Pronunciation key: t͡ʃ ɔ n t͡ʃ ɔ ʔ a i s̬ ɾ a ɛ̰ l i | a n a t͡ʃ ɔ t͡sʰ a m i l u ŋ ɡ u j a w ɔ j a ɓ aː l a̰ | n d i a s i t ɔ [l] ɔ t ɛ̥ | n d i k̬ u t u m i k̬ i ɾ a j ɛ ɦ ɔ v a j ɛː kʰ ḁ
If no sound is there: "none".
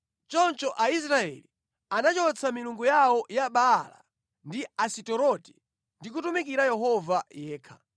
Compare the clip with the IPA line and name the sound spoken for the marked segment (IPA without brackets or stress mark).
ɾ